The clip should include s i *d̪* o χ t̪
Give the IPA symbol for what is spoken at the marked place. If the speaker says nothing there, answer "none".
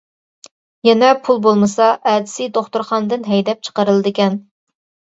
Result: d̪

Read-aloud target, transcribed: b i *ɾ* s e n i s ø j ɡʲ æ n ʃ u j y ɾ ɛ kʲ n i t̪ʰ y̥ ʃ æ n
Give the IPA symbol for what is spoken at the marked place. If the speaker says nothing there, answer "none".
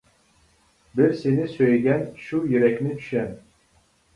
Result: ɾ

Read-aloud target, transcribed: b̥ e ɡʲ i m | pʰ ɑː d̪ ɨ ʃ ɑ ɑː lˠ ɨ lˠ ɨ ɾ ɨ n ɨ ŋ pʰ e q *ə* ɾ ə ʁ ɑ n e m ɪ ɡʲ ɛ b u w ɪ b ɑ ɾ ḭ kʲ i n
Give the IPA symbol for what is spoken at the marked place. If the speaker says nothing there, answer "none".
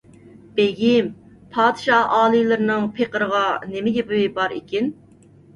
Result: ə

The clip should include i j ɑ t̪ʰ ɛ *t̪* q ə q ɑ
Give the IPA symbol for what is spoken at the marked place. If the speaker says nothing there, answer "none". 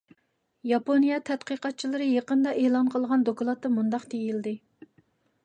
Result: t̪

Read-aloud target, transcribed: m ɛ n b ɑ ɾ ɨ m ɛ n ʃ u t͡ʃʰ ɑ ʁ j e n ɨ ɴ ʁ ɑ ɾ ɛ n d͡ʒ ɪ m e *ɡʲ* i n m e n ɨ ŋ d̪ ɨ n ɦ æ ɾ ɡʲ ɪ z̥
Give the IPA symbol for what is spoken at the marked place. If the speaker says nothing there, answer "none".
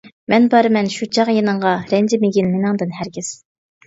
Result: ɡʲ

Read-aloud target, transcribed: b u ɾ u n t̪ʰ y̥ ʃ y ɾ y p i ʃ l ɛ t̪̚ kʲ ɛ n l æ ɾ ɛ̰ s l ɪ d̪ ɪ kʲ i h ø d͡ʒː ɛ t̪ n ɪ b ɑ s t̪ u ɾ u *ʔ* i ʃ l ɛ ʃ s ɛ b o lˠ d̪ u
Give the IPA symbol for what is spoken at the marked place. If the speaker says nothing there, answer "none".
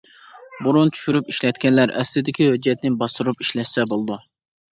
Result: p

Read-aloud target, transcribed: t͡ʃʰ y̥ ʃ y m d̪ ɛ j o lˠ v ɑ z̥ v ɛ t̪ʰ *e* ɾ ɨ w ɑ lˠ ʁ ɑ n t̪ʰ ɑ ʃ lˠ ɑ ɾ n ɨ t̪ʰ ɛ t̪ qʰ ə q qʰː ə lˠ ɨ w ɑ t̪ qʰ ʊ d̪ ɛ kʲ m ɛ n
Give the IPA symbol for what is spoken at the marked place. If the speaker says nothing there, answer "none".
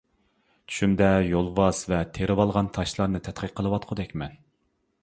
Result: e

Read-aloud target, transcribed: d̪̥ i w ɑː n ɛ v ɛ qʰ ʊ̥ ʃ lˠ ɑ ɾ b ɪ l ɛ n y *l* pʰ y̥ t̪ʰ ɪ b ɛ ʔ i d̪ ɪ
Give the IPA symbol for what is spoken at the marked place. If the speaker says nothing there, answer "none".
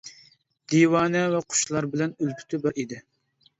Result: l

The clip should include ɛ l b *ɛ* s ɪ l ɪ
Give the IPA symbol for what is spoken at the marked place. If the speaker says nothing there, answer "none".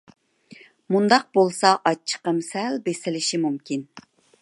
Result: e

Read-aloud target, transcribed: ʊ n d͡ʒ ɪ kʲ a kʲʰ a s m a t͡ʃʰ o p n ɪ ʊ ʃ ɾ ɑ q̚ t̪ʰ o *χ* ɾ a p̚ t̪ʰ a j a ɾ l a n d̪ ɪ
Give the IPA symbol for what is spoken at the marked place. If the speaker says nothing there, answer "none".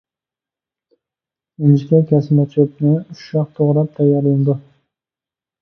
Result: ʁ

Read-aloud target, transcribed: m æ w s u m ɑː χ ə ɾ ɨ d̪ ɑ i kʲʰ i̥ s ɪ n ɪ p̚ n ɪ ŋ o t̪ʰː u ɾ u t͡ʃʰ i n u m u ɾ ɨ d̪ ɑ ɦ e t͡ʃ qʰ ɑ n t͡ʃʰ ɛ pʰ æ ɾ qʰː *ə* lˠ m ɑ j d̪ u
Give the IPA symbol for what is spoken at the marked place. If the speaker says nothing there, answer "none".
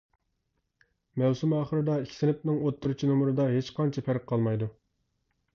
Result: ɑ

